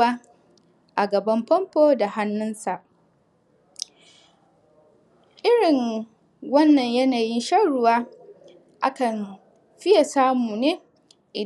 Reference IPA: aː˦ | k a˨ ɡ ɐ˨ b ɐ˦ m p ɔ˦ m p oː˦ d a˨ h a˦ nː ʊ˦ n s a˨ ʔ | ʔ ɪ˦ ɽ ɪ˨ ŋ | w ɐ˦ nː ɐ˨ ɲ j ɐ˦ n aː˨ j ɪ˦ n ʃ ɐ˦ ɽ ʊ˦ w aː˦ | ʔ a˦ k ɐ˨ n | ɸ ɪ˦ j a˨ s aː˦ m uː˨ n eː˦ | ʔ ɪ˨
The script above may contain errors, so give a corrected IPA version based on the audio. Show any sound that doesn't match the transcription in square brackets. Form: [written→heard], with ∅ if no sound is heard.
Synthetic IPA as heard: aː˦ | [k→ʔ] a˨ ɡ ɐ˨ b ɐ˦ m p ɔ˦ m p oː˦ d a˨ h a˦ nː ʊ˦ n s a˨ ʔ | ʔ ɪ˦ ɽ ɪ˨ ŋ | w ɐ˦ nː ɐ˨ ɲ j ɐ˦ n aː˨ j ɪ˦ n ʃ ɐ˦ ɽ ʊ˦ w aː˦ | ʔ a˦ k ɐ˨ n | ɸ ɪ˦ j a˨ s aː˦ m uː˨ n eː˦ | ʔ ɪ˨